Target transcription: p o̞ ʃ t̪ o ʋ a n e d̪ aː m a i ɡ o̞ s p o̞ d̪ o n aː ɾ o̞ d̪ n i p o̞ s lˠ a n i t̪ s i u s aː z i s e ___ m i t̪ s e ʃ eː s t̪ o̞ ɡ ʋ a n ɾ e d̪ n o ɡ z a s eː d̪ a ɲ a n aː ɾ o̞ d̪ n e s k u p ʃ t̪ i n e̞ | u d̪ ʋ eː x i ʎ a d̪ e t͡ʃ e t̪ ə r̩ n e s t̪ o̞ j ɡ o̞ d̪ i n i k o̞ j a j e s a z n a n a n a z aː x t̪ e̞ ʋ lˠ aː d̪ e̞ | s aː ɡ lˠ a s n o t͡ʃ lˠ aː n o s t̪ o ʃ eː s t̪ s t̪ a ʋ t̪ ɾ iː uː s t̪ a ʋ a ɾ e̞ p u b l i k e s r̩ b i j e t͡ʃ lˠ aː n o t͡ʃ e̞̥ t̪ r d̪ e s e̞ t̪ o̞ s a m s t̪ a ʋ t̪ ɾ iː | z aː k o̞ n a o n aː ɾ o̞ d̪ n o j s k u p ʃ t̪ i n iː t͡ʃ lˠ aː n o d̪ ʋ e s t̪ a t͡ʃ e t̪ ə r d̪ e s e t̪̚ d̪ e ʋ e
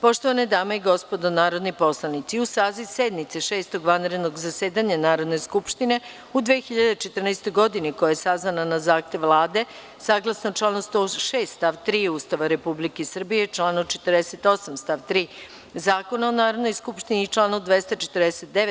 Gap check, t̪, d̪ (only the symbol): d̪